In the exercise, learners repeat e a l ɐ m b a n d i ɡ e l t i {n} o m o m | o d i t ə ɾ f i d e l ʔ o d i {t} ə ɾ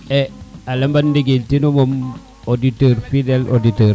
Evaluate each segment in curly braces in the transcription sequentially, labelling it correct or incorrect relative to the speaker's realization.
correct, correct

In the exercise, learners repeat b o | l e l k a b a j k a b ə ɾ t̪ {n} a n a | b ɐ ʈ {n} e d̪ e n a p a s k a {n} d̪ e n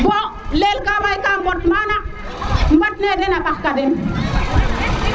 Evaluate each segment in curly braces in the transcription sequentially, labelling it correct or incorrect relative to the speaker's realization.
incorrect, correct, incorrect

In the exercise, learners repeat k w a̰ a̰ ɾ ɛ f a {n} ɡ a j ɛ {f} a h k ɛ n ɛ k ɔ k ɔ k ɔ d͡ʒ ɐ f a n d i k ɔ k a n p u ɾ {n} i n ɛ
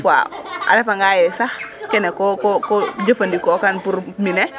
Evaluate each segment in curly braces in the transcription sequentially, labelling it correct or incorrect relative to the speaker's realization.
incorrect, incorrect, incorrect

